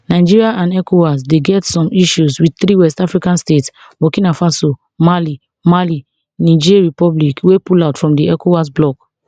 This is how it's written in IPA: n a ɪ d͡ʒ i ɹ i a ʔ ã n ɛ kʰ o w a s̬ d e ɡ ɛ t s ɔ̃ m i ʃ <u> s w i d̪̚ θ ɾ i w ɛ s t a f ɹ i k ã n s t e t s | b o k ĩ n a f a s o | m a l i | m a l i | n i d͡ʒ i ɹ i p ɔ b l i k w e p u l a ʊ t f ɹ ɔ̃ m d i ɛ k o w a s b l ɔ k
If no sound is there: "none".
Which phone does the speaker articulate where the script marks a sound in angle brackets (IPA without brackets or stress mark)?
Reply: u